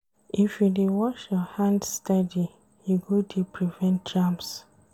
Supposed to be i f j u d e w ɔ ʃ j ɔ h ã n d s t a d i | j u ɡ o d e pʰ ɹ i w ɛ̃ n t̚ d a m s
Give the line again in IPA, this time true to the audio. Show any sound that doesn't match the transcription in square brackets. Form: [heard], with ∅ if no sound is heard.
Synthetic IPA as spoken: i f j u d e w ɔ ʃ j ɔ h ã n d s t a d i | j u ɡ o d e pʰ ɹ i [v] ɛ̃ n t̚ [d͡ʒ] a m s